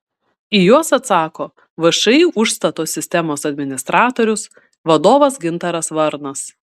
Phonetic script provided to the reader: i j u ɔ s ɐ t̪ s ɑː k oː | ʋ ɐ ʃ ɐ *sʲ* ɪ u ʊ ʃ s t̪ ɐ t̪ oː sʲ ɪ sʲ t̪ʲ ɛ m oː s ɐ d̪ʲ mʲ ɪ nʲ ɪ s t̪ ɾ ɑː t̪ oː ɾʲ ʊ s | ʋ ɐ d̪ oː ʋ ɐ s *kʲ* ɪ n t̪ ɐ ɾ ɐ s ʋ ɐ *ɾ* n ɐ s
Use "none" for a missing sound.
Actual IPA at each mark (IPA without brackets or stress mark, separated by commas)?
none, ɡʲ, ɾ